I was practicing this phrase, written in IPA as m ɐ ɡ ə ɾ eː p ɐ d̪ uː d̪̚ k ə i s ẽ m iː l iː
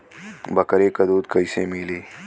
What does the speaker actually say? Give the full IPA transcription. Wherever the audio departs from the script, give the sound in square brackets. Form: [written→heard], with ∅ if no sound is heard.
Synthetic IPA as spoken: [m→b] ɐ [ɡ→k] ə ɾ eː [p→k] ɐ d̪ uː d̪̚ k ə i s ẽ m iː l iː